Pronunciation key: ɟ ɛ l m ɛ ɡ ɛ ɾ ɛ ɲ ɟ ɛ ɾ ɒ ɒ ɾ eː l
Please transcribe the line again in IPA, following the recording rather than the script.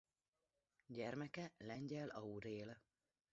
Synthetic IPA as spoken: ɟ ɛ r m ɛ k ɛ l ɛ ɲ ɟ ɛ l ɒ u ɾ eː l